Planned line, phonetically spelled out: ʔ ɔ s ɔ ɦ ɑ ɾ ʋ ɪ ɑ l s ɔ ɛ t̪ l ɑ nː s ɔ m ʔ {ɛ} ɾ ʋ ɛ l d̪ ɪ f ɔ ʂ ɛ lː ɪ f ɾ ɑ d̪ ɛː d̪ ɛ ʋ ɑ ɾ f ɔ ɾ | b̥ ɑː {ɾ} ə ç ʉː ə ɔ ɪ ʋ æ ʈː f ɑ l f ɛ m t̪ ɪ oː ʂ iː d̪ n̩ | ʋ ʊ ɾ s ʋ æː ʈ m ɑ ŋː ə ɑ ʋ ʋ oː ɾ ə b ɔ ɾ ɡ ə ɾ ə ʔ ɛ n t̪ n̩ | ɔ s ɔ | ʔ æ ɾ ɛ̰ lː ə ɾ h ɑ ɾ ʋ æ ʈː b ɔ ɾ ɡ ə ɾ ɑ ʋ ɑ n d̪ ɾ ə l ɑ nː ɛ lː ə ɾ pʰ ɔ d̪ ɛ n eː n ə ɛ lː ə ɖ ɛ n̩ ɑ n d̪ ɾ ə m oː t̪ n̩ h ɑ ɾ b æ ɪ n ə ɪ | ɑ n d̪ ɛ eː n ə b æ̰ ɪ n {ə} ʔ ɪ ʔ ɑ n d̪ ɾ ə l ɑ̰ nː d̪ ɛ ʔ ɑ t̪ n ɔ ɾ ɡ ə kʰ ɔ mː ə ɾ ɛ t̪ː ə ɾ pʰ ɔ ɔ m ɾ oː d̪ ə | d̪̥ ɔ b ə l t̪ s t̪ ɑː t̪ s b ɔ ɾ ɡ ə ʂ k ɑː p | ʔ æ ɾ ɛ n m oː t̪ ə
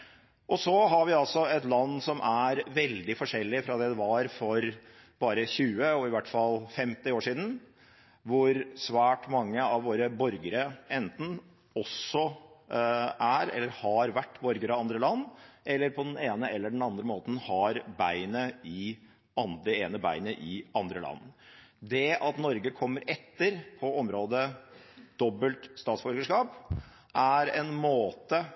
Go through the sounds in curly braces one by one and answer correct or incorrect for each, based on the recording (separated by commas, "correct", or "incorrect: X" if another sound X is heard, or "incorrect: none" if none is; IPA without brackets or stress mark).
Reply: incorrect: æ, correct, correct